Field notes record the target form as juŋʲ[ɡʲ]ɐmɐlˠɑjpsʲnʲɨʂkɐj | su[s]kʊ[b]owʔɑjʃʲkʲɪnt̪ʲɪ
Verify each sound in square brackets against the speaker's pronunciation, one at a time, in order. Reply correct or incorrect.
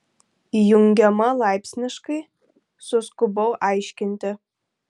correct, correct, correct

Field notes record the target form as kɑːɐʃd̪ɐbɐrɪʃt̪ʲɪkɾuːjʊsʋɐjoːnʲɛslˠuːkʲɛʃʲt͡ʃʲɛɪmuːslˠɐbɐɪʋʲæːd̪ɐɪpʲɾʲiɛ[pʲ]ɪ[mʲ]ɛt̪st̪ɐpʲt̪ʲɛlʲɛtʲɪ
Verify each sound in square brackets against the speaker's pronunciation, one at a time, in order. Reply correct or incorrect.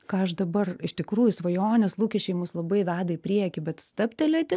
incorrect: kʲ, incorrect: bʲ

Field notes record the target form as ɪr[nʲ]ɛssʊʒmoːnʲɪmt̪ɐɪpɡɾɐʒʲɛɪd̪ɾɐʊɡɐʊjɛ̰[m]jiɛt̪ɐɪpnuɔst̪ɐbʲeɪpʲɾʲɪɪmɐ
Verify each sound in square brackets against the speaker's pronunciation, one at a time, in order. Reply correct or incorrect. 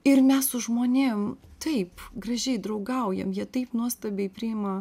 incorrect: mʲ, correct

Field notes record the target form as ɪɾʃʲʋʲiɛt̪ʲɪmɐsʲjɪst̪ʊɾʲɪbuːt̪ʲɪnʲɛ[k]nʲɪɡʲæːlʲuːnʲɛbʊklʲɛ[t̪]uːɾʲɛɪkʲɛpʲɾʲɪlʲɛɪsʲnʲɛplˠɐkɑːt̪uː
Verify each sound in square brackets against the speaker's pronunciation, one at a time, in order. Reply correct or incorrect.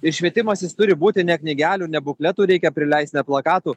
correct, correct

